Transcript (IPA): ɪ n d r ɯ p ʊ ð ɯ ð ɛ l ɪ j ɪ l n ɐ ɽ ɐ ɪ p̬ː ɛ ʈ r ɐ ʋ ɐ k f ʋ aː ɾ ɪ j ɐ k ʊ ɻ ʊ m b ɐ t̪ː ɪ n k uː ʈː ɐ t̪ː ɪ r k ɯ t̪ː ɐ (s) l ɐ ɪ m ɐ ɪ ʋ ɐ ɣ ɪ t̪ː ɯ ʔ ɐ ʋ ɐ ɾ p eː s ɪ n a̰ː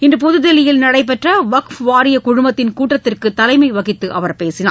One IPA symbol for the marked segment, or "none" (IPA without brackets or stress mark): none